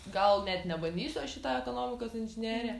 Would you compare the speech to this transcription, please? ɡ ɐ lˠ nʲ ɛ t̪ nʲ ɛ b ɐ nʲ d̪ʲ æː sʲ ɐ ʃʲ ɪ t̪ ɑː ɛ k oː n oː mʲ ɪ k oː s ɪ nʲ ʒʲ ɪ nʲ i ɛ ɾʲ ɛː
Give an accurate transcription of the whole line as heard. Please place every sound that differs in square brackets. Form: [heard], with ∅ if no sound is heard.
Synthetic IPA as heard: ɡ ɐ lˠ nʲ ɛ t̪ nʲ ɛ b ɐ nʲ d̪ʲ [iː] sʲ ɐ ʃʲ ɪ t̪ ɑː ɛ k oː n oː mʲ ɪ k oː s ɪ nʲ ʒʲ ɪ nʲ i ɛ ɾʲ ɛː